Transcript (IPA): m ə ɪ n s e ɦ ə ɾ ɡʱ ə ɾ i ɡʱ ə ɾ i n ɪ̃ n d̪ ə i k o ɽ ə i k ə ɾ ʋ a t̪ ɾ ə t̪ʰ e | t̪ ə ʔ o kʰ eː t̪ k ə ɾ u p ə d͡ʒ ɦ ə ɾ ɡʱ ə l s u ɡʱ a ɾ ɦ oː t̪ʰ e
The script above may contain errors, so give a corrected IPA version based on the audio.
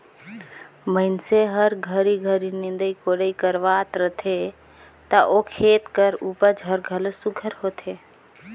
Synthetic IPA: m ə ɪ n s e ɦ ə ɾ ɡʱ ə ɾ i ɡʱ ə ɾ i n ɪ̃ n d̪ ə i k o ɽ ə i k ə ɾ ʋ a t̪ ɾ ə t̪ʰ e | t̪ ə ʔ o kʰ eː t̪ k ə ɾ u p ə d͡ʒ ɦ ə ɾ ɡʱ ə l s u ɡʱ ə ɾ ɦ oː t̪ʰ e